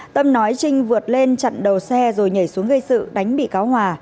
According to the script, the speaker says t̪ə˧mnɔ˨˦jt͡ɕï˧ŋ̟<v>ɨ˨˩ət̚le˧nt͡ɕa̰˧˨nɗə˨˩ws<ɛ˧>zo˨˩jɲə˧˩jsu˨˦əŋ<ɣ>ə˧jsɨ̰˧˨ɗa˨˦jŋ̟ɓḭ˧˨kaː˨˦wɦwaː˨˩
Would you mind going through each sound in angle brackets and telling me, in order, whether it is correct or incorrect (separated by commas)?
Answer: correct, correct, correct